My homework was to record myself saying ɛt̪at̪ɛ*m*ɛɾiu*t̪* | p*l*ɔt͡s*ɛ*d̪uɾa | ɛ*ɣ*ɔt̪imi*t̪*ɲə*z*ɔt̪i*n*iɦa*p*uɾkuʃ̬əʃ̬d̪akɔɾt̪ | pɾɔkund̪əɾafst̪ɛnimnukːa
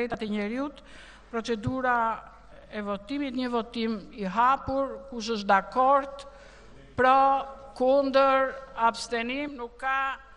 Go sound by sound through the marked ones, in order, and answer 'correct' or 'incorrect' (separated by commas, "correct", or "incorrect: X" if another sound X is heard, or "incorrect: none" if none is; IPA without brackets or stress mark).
incorrect: ɲ, correct, incorrect: ɾ, correct, incorrect: v, correct, incorrect: v, incorrect: m, correct